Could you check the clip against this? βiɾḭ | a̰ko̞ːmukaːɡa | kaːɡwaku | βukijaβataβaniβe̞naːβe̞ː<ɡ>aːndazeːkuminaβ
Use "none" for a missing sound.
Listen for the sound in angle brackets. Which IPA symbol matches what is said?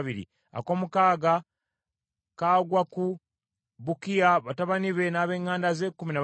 ŋ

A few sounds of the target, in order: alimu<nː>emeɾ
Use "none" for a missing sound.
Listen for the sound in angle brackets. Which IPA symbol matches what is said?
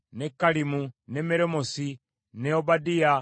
n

